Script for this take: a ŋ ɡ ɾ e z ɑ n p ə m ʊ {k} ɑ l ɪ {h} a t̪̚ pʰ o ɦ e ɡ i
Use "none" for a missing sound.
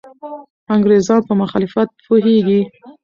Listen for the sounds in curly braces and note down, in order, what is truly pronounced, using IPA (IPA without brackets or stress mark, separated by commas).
x, f